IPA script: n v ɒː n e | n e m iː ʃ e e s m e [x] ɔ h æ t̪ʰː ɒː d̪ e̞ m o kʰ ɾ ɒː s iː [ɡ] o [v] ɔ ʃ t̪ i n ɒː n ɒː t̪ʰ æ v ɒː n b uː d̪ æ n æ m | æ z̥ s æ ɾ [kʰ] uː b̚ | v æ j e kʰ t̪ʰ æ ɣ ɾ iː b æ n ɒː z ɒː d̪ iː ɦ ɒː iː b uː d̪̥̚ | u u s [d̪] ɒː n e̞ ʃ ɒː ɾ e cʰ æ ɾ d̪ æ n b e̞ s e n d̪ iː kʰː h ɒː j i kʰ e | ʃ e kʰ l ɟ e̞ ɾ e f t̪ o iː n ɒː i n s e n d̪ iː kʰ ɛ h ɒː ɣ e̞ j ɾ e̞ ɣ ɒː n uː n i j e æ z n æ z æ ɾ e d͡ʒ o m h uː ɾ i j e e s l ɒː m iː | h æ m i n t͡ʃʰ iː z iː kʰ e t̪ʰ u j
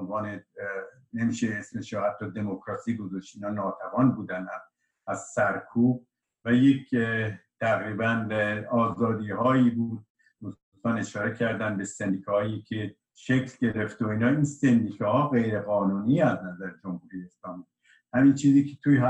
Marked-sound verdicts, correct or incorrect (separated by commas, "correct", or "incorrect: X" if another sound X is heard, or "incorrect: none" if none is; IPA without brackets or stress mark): incorrect: ʃ, correct, incorrect: z, correct, incorrect: t̪